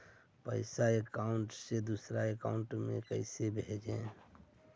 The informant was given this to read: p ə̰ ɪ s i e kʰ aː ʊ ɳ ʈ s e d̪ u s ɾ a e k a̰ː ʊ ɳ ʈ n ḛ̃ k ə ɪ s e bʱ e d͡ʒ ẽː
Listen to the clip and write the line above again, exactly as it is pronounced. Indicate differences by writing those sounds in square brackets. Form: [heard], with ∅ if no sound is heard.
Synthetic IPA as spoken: p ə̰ ɪ s [a] e [k] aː ʊ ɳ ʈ s e d̪ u s ɾ a e k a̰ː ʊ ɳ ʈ [m] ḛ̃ k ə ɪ s e bʱ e d͡ʒ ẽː